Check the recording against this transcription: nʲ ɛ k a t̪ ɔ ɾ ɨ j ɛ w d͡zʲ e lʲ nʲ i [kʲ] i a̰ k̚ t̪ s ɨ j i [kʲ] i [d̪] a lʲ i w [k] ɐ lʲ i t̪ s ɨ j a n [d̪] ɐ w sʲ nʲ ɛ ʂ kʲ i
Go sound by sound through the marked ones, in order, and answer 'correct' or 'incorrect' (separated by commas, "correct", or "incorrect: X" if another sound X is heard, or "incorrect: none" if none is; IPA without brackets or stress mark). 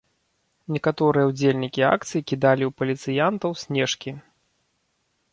correct, correct, correct, incorrect: p, incorrect: t̪